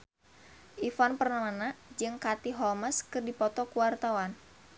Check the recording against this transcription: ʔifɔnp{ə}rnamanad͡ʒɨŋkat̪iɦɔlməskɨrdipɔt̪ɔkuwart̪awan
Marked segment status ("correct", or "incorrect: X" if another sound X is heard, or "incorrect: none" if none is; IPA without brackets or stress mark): correct